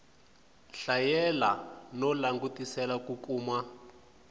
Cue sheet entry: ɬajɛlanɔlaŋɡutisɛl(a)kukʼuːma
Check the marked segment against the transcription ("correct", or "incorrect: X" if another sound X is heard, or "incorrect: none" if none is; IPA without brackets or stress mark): correct